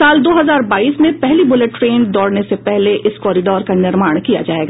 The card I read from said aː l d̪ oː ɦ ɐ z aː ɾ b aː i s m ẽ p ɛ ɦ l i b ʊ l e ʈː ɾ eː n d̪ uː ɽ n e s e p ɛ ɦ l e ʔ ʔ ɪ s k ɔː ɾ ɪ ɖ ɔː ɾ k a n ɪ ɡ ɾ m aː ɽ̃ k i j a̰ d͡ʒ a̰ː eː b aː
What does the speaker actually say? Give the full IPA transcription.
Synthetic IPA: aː l d̪ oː ɦ ɐ z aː ɾ b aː iː s m ẽ p ɛ ɦ l i b ʊ l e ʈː ɾ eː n d̪ ɔː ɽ n e s e p ɛ ɦ l e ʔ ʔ ɪ s k ɔː ɾ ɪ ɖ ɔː ɾ k a n ɪ ɾ m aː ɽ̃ k i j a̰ d͡ʒ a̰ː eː ɡ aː